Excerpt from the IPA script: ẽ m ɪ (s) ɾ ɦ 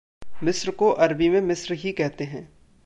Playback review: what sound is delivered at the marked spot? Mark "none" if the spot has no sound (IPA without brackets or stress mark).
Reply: s